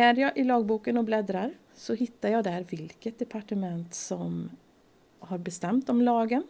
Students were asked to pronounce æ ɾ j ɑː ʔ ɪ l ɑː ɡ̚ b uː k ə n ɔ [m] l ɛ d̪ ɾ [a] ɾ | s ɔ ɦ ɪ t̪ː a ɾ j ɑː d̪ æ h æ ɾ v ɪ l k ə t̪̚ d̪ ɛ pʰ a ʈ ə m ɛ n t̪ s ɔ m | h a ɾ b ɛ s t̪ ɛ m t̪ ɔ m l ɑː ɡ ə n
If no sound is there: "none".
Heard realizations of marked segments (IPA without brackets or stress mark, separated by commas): b, a